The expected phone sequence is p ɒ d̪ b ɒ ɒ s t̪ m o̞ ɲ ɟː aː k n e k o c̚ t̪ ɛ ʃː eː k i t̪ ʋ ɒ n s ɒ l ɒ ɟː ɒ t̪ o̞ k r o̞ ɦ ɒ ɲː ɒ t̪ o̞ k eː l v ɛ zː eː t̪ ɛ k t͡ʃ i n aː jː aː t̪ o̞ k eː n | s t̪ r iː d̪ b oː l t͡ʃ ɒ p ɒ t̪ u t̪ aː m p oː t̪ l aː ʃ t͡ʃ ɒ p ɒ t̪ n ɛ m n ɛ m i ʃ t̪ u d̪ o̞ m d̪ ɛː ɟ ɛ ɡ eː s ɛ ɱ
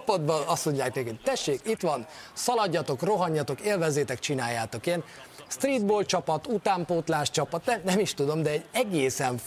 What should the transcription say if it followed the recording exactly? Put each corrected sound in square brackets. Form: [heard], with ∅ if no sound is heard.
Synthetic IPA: p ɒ d̪ b ɒ ɒ s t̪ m o̞ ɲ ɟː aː k n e k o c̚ t̪ ɛ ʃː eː k i t̪ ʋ ɒ n s ɒ l ɒ ɟː ɒ t̪ o̞ k r o̞ ɦ ɒ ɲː ɒ t̪ o̞ k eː l v ɛ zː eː t̪ ɛ k t͡ʃ i n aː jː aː t̪ o̞ k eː n | s t̪ r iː d̪ b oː l t͡ʃ ɒ p ɒ t̪ u t̪ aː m p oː t̪ l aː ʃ t͡ʃ ɒ p ɒ t̪ n ɛ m n ɛ m i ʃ t̪ u d̪ o̞ m d̪ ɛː ɟ ɛ ɡ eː s ɛ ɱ